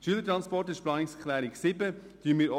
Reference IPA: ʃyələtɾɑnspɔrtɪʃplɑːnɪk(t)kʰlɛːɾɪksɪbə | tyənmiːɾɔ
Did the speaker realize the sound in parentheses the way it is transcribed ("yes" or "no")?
no